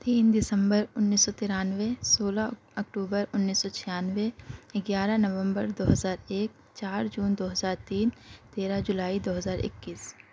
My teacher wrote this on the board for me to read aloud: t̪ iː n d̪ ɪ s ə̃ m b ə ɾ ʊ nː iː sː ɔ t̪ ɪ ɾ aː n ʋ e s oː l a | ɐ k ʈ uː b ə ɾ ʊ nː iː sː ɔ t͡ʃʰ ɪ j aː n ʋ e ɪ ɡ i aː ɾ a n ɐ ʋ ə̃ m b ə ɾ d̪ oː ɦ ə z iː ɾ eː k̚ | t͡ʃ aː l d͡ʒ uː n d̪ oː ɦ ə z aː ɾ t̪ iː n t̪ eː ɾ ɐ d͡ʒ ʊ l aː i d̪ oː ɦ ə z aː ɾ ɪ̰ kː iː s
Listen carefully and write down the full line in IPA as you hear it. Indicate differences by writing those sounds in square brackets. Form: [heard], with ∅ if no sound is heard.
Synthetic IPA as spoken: t̪ iː n d̪ ɪ s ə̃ m b ə ɾ ʊ nː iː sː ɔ t̪ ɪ ɾ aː n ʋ e s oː l a | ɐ k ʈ uː b ə ɾ ʊ nː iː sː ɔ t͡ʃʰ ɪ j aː n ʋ e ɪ ɡ [j] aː ɾ a n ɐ ʋ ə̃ m b ə ɾ d̪ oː ɦ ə z [aː] ɾ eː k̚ | t͡ʃ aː [ɾ] d͡ʒ uː n d̪ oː ɦ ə z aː ɾ t̪ iː n t̪ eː ɾ [a] d͡ʒ ʊ l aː i d̪ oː ɦ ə z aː ɾ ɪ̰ kː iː s